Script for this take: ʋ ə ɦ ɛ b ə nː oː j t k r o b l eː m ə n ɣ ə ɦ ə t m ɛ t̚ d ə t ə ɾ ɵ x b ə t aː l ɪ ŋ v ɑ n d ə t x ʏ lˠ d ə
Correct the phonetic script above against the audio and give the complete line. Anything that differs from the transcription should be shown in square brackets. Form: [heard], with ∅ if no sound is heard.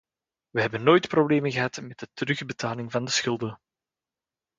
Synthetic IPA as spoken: ʋ ə ɦ ɛ b ə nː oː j t [p] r o b l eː m ə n ɣ ə ɦ [ɑ] t m ɛ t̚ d ə t ə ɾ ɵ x b ə t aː l ɪ ŋ v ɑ n d ə [s] x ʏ lˠ d ə